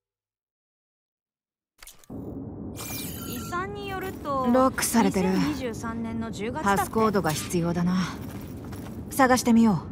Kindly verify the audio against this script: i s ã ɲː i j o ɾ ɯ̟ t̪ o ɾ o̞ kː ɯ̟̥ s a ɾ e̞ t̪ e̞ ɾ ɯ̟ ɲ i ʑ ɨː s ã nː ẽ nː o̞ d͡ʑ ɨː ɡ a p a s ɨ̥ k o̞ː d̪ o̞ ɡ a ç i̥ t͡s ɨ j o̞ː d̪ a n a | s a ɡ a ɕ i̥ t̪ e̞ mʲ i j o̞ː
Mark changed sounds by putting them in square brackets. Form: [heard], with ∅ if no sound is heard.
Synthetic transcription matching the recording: i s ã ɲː i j o ɾ ɯ̟ t̪ o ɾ o̞ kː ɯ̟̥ s a ɾ e̞ t̪ e̞ ɾ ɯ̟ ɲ i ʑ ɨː s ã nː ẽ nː o̞ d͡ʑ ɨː ɡ a p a s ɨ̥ k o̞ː d̪ o̞ ɡ a ç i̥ t͡s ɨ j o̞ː d̪ a n a | s a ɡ a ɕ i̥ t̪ e̞ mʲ i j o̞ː